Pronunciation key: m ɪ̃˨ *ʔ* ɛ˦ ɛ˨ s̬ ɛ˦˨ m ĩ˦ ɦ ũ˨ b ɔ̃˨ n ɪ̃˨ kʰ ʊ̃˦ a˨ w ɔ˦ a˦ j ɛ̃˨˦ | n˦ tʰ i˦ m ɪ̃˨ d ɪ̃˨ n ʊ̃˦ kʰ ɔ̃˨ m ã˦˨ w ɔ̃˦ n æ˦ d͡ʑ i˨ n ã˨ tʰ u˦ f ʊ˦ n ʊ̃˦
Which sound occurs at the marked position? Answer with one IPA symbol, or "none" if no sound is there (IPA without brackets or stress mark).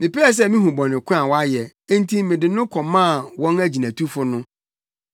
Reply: p